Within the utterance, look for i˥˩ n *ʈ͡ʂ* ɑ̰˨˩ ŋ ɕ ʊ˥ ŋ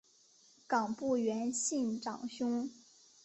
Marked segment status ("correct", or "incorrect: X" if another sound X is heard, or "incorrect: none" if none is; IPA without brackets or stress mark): correct